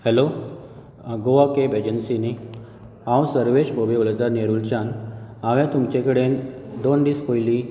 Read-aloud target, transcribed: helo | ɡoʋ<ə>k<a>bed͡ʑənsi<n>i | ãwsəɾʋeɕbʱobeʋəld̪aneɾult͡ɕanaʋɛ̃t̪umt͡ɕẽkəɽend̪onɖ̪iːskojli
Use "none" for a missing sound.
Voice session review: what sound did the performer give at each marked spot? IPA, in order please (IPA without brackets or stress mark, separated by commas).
a, e, n